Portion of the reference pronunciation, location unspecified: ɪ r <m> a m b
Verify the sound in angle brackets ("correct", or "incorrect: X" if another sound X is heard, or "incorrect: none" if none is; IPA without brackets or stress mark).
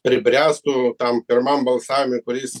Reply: correct